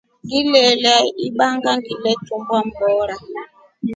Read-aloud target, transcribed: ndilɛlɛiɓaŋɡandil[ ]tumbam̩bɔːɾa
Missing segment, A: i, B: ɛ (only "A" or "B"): B